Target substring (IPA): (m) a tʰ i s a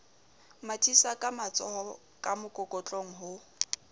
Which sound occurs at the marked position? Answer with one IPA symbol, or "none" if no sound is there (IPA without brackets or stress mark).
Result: m